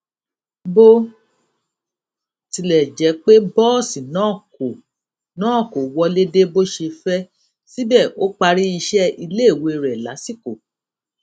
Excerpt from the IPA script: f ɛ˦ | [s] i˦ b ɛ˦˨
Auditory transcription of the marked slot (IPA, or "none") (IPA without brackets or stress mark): s